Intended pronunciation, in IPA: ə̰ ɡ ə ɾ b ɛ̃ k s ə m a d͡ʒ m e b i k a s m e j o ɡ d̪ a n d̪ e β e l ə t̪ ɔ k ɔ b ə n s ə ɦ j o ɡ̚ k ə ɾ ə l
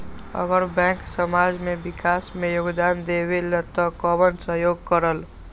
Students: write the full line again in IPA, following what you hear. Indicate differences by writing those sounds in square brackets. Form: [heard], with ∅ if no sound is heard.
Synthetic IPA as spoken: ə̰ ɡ ə ɾ b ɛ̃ k s ə m a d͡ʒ m e b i k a s m e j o ɡ d̪ a n d̪ e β e l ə t̪ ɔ k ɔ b ə n s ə ɦ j o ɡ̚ k ə ɾ ə l